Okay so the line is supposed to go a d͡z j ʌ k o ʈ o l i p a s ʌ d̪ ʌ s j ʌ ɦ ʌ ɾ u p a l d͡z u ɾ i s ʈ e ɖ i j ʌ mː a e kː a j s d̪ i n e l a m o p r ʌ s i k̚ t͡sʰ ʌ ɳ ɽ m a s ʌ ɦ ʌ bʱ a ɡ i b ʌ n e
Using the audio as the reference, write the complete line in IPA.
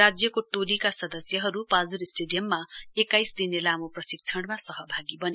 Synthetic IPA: a d͡z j ʌ k o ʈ o l i k a s ʌ d̪ ʌ s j ʌ ɦ ʌ ɾ u p a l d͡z u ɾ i s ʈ e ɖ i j ʌ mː a e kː a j s d̪ i n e l a m o p r ʌ s i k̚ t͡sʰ ʌ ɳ ɽ m a s ʌ ɦ ʌ bʱ a ɡ i b ʌ n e